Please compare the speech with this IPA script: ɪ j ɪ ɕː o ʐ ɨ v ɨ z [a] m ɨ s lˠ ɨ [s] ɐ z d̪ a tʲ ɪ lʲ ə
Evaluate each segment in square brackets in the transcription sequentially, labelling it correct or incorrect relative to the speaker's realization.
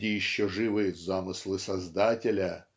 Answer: correct, correct

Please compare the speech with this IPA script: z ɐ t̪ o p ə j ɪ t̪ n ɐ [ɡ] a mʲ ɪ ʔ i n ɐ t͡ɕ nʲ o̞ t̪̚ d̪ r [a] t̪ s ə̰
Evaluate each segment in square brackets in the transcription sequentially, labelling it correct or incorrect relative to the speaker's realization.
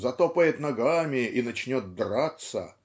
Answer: correct, correct

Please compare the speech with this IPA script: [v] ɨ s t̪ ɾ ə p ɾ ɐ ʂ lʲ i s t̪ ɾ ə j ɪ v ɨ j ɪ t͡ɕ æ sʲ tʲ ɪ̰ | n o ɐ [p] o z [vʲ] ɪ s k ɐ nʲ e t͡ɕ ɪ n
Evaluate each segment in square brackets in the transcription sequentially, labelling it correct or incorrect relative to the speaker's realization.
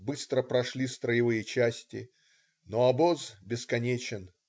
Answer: incorrect: b, incorrect: b, incorrect: bʲ

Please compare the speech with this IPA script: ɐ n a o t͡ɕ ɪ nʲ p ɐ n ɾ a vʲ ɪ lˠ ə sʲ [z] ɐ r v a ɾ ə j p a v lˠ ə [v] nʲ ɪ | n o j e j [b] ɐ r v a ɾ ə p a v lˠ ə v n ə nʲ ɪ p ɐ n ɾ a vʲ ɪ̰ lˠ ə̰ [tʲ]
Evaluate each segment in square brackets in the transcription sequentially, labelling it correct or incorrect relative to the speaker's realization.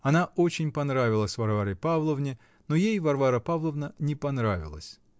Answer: incorrect: v, correct, incorrect: v, incorrect: sʲ

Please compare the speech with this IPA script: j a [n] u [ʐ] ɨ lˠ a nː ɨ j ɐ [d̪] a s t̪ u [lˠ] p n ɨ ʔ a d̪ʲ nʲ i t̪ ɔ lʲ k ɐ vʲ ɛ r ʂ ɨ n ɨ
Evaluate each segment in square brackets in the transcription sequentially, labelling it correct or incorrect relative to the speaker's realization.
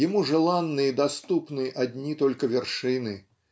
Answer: incorrect: m, correct, correct, incorrect: none

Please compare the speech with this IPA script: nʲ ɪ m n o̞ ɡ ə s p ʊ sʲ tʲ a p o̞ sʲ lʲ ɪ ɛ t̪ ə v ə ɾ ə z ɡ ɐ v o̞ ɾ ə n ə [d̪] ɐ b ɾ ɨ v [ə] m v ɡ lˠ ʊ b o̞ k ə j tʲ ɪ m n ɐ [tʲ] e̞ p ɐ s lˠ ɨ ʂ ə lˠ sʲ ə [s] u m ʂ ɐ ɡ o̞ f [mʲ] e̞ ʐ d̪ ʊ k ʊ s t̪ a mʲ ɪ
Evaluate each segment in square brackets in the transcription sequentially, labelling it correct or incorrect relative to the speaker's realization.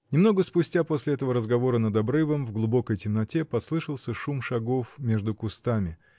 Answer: correct, correct, correct, incorrect: ʂ, correct

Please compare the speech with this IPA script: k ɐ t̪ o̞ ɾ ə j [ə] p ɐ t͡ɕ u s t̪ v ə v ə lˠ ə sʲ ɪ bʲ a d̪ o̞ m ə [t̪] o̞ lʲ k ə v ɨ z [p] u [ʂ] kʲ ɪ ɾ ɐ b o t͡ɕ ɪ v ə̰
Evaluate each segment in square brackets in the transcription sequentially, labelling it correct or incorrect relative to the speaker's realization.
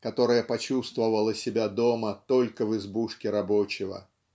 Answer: correct, correct, incorrect: b, correct

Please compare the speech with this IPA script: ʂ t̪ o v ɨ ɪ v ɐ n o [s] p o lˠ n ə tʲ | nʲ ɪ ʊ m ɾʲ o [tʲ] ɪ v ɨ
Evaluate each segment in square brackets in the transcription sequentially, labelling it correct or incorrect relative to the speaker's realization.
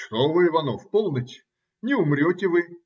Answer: incorrect: f, correct

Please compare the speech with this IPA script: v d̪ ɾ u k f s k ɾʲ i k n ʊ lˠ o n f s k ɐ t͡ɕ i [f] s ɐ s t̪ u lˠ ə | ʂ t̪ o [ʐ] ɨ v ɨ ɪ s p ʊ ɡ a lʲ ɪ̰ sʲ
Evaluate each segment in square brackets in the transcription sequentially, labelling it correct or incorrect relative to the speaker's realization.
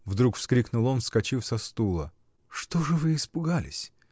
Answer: correct, correct

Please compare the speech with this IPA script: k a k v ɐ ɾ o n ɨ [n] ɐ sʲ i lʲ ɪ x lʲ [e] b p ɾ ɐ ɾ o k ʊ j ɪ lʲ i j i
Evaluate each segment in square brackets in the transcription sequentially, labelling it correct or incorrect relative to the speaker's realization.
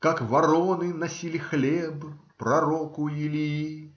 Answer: correct, correct

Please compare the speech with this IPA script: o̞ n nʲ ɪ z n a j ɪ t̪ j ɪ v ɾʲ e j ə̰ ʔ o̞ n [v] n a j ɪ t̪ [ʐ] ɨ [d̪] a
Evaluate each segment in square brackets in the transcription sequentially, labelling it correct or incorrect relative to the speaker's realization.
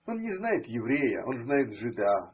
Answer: incorrect: z, correct, correct

